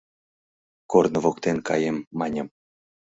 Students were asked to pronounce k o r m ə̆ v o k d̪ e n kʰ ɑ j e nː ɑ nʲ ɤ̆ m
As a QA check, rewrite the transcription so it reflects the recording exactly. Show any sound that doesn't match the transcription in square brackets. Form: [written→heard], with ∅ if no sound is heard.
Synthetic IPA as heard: k o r [m→n] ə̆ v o k [d̪→t̪] e n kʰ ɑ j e [nː→mː] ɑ nʲ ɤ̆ m